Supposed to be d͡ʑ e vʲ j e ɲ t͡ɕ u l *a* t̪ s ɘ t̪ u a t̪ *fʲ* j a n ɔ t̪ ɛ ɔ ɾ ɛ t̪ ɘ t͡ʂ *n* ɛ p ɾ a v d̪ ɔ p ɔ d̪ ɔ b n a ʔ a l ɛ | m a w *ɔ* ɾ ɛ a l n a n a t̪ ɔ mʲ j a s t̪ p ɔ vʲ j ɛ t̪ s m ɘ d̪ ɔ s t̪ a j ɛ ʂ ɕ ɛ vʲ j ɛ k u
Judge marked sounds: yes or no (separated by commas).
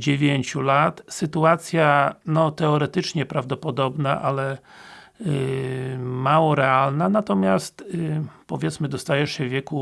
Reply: yes, no, no, yes